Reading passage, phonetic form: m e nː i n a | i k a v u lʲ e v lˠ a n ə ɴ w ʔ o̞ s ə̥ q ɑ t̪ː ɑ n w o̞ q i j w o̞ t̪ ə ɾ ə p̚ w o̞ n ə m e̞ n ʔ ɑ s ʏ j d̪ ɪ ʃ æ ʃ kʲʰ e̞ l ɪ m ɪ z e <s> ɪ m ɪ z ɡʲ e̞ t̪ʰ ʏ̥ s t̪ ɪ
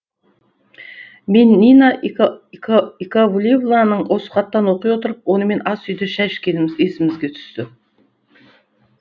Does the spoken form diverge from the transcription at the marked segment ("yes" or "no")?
no